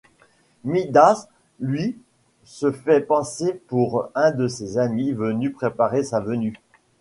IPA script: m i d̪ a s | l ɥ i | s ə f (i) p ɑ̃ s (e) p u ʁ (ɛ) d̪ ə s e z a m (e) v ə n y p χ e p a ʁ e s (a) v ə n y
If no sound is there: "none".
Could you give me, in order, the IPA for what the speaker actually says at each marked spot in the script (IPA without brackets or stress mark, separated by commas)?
ɛ, e, ɛ̃, i, a